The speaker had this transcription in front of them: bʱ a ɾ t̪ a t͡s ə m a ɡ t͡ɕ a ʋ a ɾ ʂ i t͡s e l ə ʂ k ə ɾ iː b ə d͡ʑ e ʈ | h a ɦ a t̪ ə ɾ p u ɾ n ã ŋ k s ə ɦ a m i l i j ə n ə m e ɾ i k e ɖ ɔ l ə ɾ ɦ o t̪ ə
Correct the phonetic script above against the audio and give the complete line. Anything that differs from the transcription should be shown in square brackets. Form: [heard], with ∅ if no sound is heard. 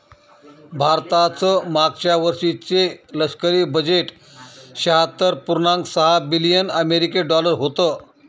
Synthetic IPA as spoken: bʱ a ɾ t̪ a t͡s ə m a ɡ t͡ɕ a ʋ [ə] ɾ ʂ i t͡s e l ə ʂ k ə ɾ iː b ə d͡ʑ e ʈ | [ɕ] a ɦ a t̪ ə ɾ p u ɾ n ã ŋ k s ə ɦ a [b] i l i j ə n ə m e ɾ i k e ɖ ɔ l ə ɾ ɦ o t̪ ə